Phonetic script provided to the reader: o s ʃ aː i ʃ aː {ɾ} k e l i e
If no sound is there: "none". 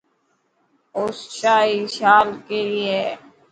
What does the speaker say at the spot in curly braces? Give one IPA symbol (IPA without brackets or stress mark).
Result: l